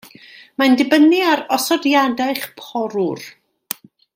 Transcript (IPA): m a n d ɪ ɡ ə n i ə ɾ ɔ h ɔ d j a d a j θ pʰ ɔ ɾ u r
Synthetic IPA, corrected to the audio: m a n d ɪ b ə n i a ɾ ɔ s ɔ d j a d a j χ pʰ ɔ ɾ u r